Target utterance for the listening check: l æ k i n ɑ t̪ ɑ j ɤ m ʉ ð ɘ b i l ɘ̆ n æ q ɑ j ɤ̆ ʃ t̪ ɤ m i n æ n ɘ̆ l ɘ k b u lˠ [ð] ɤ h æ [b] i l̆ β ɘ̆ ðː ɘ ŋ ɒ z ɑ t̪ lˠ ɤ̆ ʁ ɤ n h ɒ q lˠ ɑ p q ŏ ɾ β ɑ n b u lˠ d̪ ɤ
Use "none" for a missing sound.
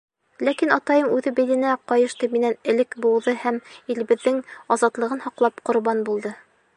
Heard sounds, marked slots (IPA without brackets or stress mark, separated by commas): ð, m